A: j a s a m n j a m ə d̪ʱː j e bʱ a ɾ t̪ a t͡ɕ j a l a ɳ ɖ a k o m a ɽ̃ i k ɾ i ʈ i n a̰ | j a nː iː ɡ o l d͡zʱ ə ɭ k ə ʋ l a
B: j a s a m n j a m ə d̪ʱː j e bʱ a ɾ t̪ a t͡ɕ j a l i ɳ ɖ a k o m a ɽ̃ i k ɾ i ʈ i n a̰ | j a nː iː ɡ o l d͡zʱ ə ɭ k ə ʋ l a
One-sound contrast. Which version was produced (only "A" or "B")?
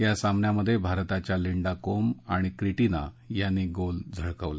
B